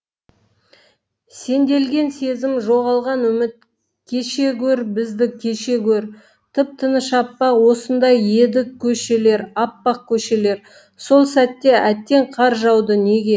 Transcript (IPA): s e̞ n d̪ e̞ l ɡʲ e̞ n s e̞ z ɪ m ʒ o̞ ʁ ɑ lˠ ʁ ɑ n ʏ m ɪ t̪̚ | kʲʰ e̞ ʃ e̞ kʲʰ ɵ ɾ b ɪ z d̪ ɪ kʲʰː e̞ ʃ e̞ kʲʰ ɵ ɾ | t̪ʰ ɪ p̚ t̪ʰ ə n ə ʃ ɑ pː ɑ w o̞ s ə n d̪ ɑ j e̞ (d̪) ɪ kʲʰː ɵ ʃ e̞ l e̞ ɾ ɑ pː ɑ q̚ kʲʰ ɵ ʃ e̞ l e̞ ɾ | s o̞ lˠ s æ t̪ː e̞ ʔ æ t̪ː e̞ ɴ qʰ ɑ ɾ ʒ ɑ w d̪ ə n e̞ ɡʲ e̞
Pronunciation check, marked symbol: correct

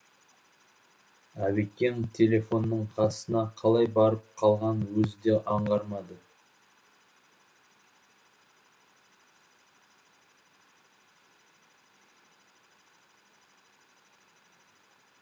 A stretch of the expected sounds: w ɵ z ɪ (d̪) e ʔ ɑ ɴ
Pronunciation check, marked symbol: correct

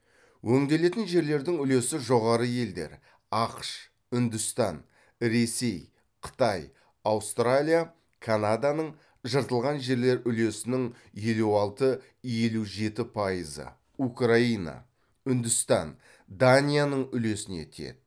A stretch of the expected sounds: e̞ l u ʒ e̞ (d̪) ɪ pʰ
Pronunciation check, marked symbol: incorrect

